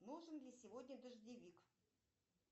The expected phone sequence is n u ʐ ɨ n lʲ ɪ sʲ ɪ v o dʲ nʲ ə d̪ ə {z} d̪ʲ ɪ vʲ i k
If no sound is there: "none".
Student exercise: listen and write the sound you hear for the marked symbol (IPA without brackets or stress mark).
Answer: ʐ